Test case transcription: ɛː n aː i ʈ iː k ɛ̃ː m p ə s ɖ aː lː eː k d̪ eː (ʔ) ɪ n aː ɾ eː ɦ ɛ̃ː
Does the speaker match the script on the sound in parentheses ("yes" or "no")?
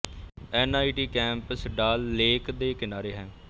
no